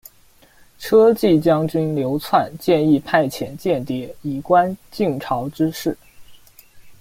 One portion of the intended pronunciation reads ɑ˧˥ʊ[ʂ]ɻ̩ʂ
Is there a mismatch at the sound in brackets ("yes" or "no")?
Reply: yes